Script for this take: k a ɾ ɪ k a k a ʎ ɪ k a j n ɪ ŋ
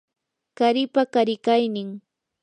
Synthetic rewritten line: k a ɾ ɪ p a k a ɾ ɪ k a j n ɪ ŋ